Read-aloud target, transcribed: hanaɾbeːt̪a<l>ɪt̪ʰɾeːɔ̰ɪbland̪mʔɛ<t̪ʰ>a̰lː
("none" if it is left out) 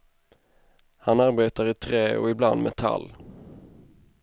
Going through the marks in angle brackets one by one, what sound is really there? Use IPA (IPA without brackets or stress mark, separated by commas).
ɾ, t̪ʰ